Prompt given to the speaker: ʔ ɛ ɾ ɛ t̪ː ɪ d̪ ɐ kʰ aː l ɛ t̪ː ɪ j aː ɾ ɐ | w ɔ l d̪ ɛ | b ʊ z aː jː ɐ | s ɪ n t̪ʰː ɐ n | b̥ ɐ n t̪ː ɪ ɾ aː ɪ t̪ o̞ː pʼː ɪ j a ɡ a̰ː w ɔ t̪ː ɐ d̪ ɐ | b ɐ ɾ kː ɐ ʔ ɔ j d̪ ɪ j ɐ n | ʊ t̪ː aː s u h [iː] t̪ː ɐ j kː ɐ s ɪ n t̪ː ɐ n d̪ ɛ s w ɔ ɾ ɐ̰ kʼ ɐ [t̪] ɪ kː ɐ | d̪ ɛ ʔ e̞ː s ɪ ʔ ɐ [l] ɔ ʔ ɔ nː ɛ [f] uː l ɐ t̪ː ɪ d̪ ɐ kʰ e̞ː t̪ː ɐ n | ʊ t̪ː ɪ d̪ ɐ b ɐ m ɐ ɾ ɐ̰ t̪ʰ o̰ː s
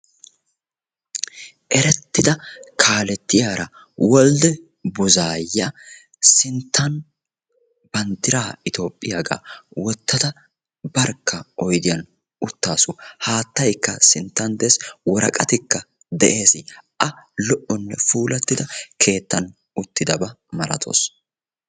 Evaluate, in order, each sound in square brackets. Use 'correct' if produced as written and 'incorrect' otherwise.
incorrect, correct, correct, correct

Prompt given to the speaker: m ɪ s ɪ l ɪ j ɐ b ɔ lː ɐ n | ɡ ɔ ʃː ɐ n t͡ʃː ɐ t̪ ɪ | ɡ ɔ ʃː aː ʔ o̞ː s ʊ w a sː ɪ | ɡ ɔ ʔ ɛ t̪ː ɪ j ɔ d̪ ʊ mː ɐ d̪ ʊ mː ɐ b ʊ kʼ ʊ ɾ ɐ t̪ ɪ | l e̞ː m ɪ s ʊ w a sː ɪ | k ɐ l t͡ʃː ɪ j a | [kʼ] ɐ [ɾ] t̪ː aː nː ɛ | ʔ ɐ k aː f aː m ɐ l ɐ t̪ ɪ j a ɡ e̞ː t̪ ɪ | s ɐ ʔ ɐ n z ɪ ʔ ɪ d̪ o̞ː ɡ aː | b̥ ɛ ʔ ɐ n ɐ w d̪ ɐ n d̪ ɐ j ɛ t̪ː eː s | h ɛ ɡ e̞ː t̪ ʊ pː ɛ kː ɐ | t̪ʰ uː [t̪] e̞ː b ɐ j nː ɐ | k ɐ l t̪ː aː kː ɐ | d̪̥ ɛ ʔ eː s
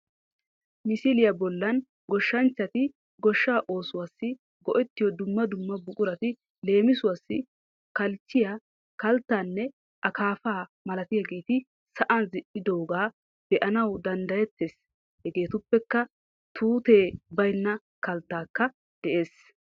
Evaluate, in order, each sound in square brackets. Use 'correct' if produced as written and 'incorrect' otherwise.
incorrect, incorrect, correct

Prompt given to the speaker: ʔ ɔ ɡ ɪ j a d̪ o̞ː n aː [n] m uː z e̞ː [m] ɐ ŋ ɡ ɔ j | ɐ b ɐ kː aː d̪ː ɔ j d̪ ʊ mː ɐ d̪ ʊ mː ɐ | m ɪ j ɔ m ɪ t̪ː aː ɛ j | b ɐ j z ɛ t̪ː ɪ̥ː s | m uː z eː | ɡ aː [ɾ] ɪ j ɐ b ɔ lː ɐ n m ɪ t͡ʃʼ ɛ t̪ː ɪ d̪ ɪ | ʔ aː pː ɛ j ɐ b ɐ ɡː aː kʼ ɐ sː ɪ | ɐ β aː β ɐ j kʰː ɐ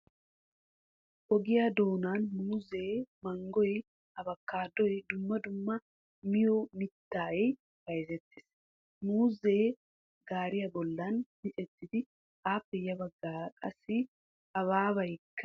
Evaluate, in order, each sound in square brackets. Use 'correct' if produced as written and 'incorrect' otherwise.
correct, correct, correct

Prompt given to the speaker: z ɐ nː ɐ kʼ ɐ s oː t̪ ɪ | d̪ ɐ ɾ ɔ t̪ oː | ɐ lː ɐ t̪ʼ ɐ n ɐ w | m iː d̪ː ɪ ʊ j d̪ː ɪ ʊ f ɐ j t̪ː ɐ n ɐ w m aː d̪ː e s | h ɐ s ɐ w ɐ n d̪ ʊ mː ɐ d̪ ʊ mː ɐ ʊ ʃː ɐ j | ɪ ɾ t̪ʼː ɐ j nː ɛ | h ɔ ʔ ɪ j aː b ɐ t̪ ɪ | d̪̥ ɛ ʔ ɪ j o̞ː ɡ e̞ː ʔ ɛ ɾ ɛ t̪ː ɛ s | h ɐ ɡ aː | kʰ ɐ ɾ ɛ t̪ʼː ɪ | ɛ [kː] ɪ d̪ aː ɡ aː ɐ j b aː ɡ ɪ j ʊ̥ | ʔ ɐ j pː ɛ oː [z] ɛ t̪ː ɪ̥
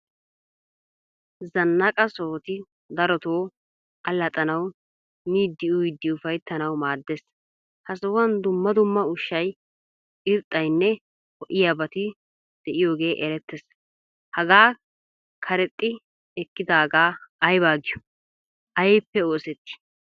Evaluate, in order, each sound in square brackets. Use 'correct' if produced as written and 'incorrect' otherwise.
correct, incorrect

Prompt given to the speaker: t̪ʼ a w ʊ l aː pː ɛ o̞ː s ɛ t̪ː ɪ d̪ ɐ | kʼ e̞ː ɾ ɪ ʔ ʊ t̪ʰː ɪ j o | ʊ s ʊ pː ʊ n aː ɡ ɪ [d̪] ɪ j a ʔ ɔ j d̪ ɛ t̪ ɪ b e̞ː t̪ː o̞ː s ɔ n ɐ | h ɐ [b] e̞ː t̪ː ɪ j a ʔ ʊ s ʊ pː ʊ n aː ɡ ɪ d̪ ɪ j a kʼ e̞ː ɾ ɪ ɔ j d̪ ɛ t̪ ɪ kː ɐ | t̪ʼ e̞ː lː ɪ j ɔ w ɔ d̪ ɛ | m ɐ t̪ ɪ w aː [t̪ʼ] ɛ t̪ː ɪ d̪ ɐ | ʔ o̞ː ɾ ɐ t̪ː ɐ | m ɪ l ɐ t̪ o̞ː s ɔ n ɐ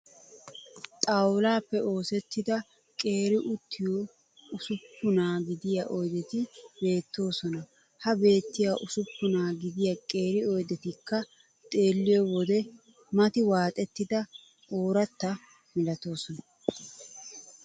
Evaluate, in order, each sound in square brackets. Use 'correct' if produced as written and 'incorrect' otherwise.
correct, correct, correct

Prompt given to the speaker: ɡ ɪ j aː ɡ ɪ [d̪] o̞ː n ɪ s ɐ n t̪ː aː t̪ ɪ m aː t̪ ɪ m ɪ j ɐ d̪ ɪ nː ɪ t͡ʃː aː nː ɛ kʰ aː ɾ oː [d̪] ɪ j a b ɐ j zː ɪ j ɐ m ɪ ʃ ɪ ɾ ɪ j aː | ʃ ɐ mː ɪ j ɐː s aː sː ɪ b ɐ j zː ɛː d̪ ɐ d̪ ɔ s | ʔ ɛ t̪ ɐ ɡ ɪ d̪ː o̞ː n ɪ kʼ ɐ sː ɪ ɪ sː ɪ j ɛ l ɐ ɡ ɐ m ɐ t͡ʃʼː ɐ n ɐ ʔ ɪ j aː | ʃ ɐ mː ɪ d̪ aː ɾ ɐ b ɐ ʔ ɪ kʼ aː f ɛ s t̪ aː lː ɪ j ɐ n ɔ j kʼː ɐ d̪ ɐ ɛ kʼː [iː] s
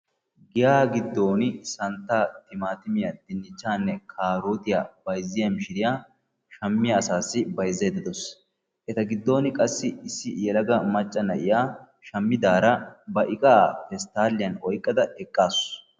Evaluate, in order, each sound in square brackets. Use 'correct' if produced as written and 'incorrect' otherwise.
incorrect, incorrect, incorrect

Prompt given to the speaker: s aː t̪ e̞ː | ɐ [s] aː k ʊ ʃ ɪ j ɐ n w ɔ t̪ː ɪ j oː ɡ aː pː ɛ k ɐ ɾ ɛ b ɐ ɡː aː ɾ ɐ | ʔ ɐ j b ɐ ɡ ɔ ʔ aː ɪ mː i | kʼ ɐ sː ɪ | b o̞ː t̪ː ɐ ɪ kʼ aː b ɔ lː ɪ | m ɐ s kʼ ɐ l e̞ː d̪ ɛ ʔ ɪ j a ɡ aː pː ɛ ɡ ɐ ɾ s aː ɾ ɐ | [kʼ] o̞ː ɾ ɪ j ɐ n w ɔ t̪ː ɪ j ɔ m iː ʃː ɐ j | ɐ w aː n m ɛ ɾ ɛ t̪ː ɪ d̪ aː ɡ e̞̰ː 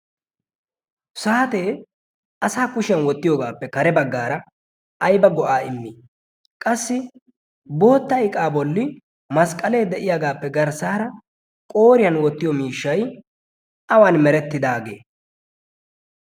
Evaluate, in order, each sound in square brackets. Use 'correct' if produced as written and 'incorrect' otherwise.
correct, correct

